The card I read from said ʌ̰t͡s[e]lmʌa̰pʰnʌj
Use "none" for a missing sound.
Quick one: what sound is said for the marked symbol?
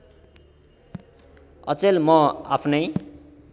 e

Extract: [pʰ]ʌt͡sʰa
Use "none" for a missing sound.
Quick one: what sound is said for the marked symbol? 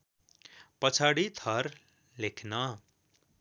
p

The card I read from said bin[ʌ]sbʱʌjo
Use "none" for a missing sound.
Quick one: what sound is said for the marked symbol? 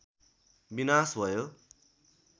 a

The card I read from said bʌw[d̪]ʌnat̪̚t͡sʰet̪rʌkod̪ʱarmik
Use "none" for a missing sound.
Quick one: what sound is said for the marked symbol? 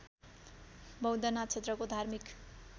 d̪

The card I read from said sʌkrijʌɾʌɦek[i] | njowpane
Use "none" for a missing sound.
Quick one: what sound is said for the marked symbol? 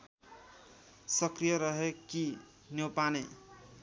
i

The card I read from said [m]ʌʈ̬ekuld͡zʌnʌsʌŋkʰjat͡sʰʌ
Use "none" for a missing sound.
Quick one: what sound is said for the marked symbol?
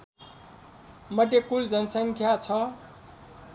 m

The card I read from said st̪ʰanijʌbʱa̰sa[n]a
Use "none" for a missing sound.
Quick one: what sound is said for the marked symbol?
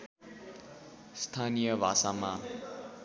m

